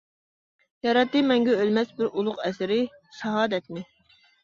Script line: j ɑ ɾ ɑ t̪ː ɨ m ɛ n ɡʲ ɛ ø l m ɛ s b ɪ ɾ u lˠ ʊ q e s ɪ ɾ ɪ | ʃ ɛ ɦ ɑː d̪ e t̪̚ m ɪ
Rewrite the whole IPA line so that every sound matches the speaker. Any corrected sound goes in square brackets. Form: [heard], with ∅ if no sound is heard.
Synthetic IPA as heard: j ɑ ɾ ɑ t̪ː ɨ m ɛ [ŋ] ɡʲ ɛ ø l m ɛ s b ɪ ɾ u lˠ ʊ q [ɛ] s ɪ ɾ ɪ | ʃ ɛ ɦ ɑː d̪ [ɛ] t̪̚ m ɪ